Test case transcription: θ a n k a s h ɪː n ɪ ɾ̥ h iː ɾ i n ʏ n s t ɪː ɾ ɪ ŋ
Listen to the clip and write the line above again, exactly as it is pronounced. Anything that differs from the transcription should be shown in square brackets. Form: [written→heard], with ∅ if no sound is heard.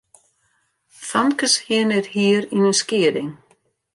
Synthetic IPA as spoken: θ a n k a s h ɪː n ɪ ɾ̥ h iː ɾ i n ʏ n s [t→c] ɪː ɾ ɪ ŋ